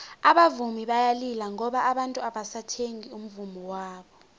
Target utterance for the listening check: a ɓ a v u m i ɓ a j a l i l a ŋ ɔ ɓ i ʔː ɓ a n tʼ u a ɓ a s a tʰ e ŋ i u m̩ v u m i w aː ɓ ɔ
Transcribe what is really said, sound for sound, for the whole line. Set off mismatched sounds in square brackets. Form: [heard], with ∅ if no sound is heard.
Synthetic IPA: a ɓ a v u m i ɓ a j a l i l a ŋ ɔ ɓ [a] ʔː ɓ a n tʼ u a ɓ a s a tʰ e ŋ i u m̩ v u m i w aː ɓ ɔ